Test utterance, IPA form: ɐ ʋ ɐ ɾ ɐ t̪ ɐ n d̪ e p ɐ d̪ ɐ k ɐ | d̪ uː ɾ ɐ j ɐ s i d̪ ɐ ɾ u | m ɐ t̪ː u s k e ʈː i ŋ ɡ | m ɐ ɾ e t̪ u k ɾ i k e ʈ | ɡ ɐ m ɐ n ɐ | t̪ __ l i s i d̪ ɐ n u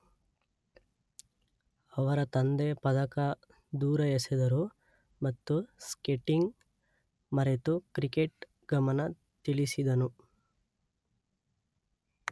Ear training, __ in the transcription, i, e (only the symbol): i